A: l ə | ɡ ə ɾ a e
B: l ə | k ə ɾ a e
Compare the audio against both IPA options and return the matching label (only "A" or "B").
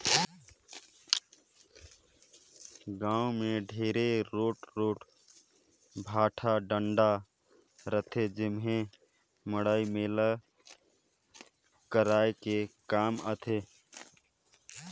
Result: B